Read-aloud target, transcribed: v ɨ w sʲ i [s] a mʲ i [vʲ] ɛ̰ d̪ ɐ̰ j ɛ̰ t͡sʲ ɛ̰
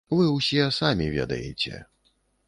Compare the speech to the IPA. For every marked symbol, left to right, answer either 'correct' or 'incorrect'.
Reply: correct, correct

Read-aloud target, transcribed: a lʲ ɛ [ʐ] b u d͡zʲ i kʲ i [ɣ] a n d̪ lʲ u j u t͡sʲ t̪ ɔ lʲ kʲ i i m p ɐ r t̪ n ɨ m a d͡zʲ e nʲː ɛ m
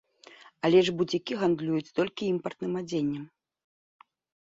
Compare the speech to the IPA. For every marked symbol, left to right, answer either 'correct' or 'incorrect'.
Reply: correct, correct

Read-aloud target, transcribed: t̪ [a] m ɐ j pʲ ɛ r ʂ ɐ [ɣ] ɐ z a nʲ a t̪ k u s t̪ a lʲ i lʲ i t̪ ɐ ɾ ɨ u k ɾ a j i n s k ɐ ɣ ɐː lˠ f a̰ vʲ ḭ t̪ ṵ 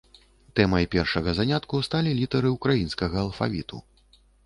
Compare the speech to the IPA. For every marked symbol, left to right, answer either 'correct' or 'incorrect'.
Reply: incorrect, correct

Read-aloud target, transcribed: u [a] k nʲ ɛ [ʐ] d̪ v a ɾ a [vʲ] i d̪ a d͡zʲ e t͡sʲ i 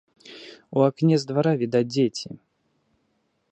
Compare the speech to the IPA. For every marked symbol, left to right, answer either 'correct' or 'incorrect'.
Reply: correct, incorrect, correct

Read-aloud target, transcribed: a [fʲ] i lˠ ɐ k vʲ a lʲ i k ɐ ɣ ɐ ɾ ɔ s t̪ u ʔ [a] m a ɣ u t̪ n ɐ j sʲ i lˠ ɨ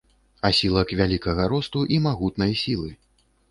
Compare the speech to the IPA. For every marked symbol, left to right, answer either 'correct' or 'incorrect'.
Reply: incorrect, incorrect

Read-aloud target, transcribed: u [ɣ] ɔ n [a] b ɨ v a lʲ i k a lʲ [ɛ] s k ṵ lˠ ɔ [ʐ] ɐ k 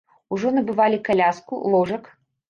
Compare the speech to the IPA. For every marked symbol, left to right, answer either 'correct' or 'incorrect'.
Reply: incorrect, incorrect, incorrect, correct

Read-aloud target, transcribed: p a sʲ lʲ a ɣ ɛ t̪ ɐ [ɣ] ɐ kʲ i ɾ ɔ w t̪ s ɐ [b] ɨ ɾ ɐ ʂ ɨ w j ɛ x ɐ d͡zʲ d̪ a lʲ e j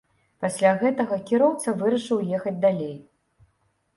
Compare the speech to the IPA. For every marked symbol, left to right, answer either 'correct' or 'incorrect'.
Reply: correct, incorrect

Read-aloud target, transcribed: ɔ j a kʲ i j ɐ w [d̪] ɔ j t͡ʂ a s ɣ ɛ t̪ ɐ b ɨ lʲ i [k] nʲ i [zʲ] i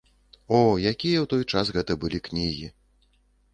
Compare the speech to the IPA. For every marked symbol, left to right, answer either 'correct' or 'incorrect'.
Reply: incorrect, correct, incorrect

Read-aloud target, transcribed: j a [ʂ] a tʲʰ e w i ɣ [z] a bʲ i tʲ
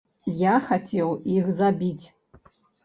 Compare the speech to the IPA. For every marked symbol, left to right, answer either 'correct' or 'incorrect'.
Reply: incorrect, correct

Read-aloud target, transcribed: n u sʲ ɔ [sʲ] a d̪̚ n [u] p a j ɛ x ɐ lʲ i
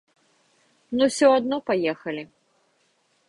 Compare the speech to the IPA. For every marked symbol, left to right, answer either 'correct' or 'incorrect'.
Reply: incorrect, incorrect

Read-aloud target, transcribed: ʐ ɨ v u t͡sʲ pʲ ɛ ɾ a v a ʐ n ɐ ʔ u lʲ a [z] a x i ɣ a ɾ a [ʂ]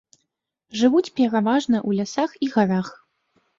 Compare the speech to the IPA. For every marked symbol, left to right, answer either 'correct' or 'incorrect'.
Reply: incorrect, incorrect

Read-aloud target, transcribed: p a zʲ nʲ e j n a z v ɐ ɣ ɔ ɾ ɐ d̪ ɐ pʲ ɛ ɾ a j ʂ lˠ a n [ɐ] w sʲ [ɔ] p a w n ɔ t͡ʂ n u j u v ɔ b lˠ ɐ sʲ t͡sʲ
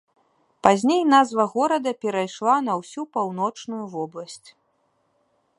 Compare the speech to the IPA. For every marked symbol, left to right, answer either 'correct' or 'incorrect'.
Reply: correct, incorrect

